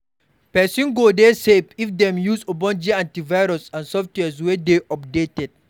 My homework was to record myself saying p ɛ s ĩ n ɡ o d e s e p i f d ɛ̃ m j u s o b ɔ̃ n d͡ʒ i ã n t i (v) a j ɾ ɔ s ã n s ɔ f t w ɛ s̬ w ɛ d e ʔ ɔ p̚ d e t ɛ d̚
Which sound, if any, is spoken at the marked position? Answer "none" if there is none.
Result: v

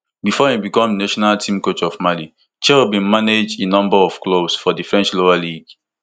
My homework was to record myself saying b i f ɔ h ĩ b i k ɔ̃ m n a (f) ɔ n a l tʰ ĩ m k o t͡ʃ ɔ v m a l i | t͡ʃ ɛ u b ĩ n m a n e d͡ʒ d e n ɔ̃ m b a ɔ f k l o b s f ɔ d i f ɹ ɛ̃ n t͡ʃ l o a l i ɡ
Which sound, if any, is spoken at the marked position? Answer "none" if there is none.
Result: ʃ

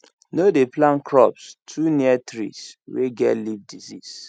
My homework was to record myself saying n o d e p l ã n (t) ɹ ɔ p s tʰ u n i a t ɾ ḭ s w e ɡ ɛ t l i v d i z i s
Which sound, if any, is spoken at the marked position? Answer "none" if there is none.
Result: k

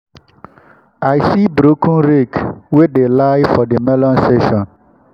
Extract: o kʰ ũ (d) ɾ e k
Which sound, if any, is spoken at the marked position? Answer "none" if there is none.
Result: n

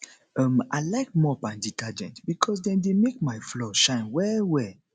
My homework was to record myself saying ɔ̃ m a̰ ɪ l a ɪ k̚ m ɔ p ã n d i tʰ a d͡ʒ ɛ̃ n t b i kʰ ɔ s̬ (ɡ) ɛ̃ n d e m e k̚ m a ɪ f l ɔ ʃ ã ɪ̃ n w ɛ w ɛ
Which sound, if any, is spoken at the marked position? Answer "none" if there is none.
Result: d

